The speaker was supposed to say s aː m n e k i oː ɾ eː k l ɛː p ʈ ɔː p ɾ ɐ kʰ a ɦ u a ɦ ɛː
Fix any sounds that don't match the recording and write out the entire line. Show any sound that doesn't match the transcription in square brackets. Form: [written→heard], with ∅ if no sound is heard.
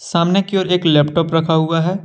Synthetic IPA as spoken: s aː m n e k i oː ɾ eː k l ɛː p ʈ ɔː p ɾ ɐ kʰ a ɦ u a ɦ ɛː

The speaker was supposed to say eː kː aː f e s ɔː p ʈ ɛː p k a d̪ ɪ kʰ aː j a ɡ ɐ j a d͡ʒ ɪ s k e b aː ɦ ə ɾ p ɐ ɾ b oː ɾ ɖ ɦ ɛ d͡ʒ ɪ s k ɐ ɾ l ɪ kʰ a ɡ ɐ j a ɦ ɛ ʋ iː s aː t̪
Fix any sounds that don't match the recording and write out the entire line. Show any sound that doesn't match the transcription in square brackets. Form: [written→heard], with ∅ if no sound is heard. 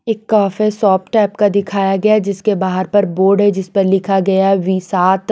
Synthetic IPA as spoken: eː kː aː f e s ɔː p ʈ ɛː p k a d̪ ɪ kʰ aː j a ɡ ɐ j a d͡ʒ ɪ s k e b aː ɦ ə ɾ p ɐ ɾ b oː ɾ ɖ ɦ ɛ d͡ʒ ɪ s [k→p] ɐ ɾ l ɪ kʰ a ɡ ɐ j a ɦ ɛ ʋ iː s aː t̪

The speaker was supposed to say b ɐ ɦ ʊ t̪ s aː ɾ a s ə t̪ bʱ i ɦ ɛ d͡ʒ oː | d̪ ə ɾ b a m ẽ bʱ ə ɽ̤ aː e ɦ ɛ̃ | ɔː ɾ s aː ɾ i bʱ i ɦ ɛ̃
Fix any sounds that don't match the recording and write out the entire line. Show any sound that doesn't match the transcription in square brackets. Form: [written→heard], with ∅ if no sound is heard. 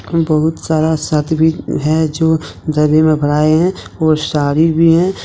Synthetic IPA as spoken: b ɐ ɦ ʊ t̪ s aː ɾ a s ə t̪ bʱ i ɦ ɛ d͡ʒ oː | d̪ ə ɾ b [a→e] m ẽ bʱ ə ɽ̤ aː e ɦ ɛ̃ | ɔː ɾ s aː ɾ i bʱ i ɦ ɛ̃

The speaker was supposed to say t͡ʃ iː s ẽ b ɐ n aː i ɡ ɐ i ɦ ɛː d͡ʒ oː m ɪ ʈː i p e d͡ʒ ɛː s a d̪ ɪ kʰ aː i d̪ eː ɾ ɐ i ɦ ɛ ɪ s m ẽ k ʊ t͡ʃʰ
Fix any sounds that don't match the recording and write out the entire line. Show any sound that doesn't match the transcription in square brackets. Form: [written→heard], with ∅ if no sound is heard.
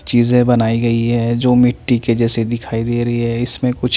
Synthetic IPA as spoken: t͡ʃ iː [s→z] ẽ b ɐ n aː i ɡ ɐ i ɦ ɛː d͡ʒ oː m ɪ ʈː i [p→k] e d͡ʒ ɛː s [a→e] d̪ ɪ kʰ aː i d̪ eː ɾ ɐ i ɦ ɛ ɪ s m ẽ k ʊ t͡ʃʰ

